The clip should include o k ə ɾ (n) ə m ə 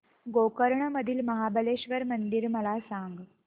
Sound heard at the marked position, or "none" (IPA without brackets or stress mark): ɳ